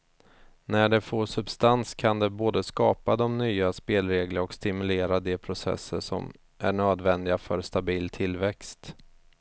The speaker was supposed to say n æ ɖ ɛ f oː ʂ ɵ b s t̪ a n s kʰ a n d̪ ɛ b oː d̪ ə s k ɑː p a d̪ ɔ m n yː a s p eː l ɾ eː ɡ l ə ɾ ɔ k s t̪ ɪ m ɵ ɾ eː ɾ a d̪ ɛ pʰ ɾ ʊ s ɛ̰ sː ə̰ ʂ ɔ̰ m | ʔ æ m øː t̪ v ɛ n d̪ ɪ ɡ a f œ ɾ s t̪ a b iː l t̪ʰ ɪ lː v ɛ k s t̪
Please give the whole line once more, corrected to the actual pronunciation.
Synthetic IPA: n æ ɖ ɛ f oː ʂ ɵ b s t̪ a n s kʰ a n d̪ ɛ b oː d̪ ə s k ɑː p a d̪ ɔ m n yː a s p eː l ɾ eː ɡ l ə ɾ ɔ k s t̪ ɪ m ɵ l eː ɾ a d̪ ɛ pʰ ɾ ʊ s ɛ̰ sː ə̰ ʂ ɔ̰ m | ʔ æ ɳ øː d̪ v ɛ n d̪ ɪ ɡ a f œ ɾ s t̪ a b iː l t̪ʰ ɪ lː v ɛ k s t̪